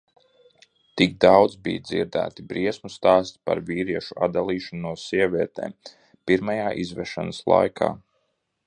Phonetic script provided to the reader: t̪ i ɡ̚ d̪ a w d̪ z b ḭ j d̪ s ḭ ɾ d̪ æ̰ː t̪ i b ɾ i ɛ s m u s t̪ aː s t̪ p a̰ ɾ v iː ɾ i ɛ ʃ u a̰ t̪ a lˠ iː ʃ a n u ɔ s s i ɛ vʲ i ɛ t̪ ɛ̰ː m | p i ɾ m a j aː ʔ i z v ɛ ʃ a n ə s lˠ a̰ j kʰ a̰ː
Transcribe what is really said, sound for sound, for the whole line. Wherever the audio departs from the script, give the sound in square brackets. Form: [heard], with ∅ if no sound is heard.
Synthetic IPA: t̪ i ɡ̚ d̪ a w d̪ z b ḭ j d̪ [z] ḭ ɾ d̪ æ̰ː t̪ i b ɾ i ɛ s m u s t̪ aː s t̪ p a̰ ɾ v iː ɾ i ɛ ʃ u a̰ [d̪] a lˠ iː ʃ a n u ɔ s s i ɛ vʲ i ɛ t̪ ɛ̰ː m | p i ɾ m a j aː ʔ i z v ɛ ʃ a n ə s lˠ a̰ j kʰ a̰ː